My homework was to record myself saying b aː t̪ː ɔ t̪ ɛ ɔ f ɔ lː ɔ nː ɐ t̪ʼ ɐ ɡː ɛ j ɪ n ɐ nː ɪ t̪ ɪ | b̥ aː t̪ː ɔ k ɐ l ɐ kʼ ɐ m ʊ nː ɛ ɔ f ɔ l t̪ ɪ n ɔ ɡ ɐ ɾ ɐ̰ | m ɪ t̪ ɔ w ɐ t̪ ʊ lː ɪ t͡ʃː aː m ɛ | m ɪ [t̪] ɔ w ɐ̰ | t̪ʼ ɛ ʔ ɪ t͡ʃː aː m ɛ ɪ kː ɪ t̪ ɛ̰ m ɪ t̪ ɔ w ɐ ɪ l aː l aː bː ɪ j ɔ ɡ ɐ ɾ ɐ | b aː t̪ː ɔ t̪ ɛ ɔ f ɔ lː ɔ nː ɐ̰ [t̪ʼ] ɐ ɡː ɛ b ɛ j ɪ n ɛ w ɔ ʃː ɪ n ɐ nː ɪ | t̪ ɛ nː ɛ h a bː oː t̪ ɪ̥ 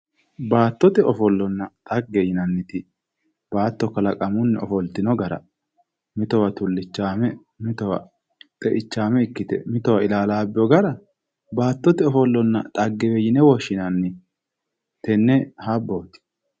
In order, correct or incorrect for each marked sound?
correct, correct

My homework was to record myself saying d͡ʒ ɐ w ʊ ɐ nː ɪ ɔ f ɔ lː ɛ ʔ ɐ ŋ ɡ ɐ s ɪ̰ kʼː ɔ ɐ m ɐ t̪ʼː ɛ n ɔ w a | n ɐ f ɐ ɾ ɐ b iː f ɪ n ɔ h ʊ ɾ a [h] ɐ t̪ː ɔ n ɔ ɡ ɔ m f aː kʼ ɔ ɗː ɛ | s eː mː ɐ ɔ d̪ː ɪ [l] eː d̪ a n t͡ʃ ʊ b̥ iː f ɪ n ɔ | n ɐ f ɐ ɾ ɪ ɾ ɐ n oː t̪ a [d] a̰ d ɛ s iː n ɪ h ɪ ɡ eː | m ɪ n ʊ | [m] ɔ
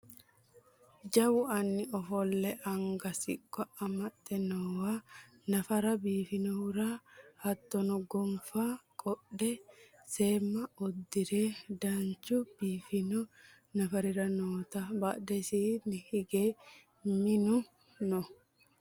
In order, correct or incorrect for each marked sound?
correct, incorrect: ɾ, incorrect: b, incorrect: n

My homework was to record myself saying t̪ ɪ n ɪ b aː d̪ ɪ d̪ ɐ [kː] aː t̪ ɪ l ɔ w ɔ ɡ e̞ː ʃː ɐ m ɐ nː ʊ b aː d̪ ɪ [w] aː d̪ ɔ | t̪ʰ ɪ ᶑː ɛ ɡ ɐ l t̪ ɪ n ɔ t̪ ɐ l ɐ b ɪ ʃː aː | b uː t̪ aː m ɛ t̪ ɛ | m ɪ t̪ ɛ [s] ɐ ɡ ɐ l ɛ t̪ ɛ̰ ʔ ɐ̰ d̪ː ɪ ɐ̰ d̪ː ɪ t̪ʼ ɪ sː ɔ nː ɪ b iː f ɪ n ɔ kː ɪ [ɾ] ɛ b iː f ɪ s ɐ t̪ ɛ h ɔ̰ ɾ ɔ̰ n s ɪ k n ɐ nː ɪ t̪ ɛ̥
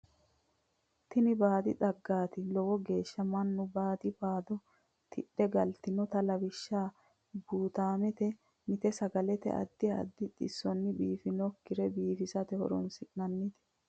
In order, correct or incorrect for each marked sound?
incorrect: ɡː, incorrect: b, correct, correct

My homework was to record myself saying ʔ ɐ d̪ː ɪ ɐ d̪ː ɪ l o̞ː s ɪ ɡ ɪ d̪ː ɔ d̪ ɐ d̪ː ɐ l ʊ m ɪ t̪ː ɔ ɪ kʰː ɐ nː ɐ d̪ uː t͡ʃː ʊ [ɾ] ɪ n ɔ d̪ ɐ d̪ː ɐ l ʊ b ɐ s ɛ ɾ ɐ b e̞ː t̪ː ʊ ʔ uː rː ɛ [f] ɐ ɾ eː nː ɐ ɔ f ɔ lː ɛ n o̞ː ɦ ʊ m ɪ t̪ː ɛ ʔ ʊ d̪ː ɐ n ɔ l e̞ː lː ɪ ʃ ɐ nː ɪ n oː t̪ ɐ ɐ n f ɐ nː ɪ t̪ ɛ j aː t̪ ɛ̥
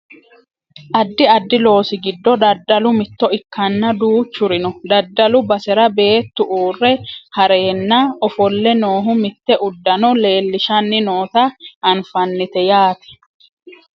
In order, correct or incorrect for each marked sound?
correct, incorrect: h

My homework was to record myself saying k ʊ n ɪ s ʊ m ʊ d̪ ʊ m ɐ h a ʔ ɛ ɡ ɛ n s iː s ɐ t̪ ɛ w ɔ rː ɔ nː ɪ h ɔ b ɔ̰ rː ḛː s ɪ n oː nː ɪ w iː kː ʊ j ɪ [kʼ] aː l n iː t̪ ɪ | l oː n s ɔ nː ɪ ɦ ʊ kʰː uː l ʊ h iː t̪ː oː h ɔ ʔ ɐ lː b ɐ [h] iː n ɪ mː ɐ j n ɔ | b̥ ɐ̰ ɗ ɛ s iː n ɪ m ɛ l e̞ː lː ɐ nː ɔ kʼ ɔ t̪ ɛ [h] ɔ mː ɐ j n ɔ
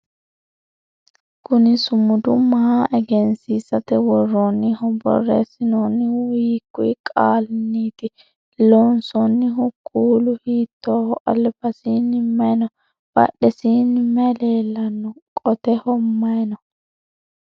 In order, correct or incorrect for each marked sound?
correct, incorrect: s, correct

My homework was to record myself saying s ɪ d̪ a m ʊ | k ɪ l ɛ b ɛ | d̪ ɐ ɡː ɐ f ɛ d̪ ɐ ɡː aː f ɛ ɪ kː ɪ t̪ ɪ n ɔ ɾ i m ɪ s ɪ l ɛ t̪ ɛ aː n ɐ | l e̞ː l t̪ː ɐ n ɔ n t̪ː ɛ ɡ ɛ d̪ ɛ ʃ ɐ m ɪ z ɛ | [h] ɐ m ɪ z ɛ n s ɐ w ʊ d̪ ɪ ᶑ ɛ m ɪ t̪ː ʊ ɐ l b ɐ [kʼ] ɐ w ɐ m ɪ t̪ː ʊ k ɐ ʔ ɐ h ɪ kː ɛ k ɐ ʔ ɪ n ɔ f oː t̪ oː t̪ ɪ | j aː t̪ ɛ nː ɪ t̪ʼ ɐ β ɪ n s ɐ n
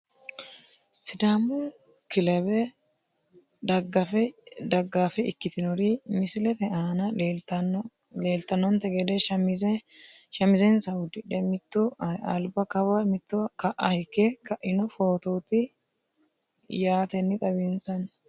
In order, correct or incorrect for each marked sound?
incorrect: ʃ, incorrect: k

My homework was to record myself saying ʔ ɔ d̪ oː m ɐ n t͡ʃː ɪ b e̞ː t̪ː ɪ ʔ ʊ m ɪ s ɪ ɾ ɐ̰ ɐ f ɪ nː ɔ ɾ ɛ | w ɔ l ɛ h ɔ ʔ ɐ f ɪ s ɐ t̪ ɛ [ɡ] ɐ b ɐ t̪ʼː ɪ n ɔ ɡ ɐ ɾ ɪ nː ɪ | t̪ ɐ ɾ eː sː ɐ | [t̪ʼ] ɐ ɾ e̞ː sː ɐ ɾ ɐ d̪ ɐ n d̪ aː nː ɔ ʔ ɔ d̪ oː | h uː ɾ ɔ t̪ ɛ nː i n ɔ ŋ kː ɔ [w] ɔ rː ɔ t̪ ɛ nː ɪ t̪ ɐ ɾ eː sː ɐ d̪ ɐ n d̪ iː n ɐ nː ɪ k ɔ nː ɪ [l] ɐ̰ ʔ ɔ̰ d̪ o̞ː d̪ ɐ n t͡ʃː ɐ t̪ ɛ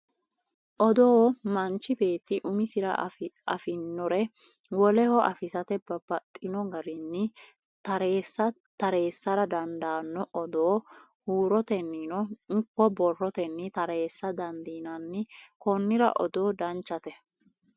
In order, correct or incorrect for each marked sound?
incorrect: b, incorrect: t̪, incorrect: b, incorrect: ɾ

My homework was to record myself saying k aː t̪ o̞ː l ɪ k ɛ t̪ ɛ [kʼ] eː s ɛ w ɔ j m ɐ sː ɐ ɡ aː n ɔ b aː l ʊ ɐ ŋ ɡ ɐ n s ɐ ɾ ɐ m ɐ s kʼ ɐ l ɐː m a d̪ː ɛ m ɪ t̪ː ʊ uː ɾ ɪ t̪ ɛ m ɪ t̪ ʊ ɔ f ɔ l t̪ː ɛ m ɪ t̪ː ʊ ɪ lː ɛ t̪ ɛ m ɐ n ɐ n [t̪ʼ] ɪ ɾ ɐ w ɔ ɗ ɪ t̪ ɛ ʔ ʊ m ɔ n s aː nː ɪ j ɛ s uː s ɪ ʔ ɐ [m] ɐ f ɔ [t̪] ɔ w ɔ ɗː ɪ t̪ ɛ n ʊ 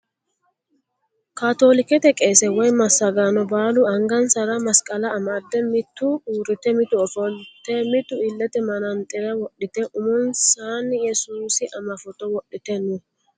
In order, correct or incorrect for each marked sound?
correct, correct, correct, correct

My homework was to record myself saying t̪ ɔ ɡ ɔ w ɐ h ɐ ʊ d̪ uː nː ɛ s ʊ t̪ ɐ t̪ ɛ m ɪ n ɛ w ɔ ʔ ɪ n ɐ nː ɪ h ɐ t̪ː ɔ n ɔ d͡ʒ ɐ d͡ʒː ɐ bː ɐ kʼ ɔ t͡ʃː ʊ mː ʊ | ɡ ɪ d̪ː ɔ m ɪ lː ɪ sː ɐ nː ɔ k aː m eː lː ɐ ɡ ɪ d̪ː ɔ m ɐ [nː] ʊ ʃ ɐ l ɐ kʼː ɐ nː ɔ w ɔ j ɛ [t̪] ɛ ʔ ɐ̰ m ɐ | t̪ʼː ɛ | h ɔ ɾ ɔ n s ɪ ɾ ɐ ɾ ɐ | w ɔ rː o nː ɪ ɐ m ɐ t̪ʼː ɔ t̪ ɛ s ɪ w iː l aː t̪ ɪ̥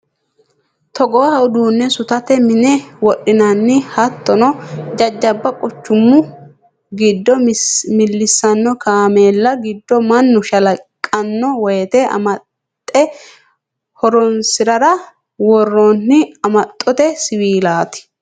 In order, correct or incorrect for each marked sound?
correct, correct

